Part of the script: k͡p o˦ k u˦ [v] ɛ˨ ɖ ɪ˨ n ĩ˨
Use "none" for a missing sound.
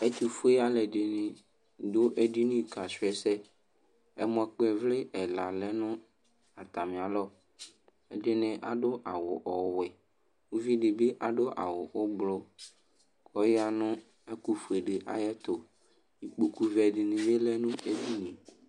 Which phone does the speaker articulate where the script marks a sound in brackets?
v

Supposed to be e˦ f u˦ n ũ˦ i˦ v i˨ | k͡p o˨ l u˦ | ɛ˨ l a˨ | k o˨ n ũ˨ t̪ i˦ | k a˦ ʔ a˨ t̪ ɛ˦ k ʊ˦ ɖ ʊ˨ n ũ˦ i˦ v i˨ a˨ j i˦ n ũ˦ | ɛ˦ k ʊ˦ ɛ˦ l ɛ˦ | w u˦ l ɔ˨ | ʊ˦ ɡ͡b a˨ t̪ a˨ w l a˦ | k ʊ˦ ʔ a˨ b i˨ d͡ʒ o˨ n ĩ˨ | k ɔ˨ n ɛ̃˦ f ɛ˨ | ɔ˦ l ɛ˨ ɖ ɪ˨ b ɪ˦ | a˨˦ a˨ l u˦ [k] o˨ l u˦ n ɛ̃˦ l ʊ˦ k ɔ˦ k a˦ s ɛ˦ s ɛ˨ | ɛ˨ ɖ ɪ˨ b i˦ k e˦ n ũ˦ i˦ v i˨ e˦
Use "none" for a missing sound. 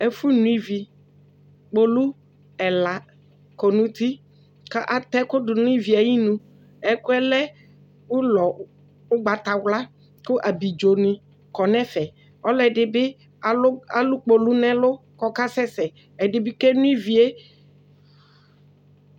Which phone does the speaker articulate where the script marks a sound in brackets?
k͡p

